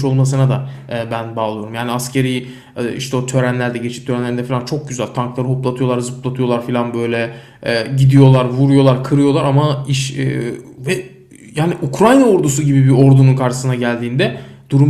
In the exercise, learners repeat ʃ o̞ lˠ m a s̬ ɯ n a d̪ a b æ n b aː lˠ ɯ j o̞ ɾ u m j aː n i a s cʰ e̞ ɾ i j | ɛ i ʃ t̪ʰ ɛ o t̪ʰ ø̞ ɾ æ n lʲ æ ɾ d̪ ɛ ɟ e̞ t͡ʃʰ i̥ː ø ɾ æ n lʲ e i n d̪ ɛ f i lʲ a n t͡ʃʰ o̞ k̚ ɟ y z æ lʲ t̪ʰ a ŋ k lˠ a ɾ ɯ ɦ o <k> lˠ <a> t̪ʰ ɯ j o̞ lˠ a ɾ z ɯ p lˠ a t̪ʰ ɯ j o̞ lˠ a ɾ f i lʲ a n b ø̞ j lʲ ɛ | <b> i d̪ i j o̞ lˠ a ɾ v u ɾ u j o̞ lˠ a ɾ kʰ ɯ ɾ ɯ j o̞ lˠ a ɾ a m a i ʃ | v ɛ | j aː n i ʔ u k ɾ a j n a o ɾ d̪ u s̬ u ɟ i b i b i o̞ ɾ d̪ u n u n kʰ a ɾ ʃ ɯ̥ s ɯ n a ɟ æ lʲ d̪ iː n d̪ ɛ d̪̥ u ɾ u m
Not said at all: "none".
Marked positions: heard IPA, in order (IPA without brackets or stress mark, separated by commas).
p, a, ɟ